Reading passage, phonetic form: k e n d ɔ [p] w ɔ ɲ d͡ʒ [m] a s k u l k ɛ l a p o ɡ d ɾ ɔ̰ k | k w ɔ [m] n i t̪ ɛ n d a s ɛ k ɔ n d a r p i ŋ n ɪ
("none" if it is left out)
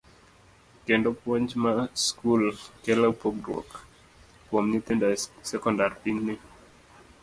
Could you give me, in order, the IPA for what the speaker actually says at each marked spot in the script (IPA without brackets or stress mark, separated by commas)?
p, m, m